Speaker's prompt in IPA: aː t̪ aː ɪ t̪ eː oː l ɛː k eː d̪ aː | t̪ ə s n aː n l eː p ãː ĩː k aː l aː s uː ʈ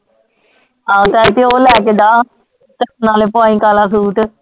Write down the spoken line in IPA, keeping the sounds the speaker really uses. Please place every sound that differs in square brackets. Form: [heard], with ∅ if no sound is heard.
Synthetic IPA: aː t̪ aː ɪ t̪ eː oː l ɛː k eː d̪ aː | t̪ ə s n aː [∅] l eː p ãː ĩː k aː l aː s uː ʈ